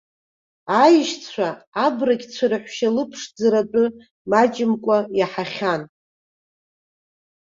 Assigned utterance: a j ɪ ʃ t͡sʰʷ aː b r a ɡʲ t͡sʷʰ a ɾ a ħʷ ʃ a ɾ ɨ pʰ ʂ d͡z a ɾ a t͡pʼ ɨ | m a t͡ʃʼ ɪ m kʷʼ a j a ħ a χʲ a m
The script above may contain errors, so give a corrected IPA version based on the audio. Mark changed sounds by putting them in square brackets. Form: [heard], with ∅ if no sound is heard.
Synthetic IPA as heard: a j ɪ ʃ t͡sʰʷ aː b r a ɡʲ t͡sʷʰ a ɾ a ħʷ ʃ a [l] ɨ pʰ ʂ d͡z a ɾ a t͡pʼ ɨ | m a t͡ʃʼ ɪ m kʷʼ a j a ħ a χʲ a [n]